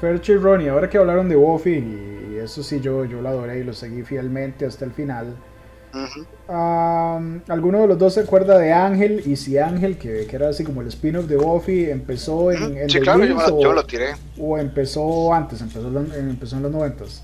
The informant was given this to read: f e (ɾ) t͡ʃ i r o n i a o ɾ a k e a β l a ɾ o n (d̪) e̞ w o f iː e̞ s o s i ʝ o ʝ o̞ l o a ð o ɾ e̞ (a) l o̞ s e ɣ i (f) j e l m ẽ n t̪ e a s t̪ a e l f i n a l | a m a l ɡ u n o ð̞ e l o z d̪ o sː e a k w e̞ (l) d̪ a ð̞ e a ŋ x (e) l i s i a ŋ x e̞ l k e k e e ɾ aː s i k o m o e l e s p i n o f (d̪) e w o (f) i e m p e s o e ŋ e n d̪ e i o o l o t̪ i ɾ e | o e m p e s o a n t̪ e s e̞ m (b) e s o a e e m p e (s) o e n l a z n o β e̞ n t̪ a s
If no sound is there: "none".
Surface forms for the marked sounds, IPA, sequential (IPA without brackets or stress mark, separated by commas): ɾ, d̪, i, f, ɾ, e, d̪, f, p, s